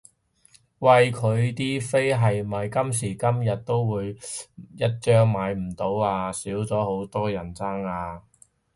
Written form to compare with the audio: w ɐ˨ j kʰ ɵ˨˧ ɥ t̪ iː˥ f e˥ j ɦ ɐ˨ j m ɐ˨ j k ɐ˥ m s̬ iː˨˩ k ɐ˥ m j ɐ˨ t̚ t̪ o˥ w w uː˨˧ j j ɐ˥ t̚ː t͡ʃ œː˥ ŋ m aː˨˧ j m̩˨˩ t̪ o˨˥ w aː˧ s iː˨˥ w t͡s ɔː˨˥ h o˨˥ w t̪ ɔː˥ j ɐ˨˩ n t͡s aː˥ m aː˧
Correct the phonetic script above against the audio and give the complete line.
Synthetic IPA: w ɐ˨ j kʰ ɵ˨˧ ɥ t̪ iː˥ f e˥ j ɦ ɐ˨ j m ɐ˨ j k ɐ˥ m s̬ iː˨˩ k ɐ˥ m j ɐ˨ t̚ t̪ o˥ w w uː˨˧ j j ɐ˥ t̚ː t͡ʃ œː˥ ŋ m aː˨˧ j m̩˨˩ t̪ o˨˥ w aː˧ s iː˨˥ w t͡s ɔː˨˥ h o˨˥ w t̪ ɔː˥ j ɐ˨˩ n t͡s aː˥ ŋ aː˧

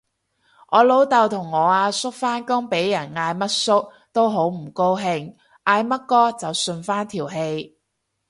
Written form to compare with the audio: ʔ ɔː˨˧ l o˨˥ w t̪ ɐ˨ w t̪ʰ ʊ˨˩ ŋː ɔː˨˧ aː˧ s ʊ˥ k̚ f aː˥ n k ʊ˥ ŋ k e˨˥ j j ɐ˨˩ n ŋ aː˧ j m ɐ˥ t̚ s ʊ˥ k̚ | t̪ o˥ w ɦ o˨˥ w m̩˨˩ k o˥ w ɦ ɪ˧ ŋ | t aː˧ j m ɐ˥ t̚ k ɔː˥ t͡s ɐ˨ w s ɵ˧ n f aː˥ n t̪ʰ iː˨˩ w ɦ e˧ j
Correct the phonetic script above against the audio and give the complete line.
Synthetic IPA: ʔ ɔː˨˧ l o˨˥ w t̪ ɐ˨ w t̪ʰ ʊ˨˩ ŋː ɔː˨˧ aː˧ s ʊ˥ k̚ f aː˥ n k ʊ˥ ŋ p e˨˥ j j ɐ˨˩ n ŋ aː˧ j m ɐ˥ t̚ s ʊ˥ k̚ | t̪ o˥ w ɦ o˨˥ w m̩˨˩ k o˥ w ɦ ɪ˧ ŋ | t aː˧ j m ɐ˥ t̚ k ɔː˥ t͡s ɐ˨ w s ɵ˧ n f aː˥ n t̪ʰ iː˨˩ w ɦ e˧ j

